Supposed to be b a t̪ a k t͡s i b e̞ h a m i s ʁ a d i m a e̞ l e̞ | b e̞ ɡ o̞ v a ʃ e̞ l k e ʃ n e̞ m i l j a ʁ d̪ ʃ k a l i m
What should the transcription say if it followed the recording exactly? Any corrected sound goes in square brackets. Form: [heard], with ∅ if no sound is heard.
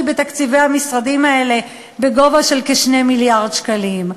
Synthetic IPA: b [e] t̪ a k t͡s i [v] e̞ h a m i s ʁ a d i m a e̞ l e̞ | b e̞ ɡ o̞ v a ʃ e̞ l k e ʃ n e̞ m i l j a ʁ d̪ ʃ k a l i m